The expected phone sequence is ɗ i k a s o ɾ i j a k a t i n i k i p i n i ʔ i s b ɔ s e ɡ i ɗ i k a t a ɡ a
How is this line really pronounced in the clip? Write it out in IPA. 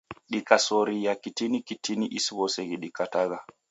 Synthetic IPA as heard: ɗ i k a s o ɾ i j a k i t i n i k i t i n i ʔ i s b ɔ s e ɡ i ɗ i k a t a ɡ a